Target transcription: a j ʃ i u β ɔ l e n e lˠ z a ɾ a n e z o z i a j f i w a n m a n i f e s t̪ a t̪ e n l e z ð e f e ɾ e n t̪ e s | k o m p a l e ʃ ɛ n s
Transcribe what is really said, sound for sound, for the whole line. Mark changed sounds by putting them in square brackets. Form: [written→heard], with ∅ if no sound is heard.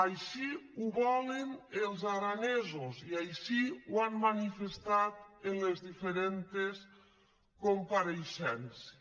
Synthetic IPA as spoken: a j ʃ i u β ɔ l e n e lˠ z a ɾ a n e z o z i a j [f→ʃ] i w a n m a n i f e s t̪ a t̪ e n l e z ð [e→i] f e ɾ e n t̪ e s | k o m p a [l→ɾ] e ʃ ɛ n s